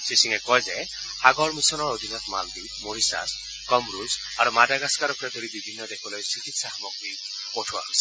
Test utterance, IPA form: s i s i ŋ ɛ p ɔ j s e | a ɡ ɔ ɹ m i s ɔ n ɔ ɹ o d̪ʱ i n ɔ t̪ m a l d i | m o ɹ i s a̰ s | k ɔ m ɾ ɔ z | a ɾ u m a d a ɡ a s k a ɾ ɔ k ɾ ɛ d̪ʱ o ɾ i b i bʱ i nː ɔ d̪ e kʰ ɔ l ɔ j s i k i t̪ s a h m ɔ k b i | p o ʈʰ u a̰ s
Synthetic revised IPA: s i s i ŋ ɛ k ɔ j z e | a ɡ ɔ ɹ m i s ɔ n ɔ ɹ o d̪ʱ i n ɔ t̪ m a l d i | m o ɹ i s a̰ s | k ɔ m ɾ u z | a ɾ u m a d a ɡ a s k a ɾ ɔ k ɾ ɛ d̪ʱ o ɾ i b i bʱ i nː ɔ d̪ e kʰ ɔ l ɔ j s i k i t̪ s a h m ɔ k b i | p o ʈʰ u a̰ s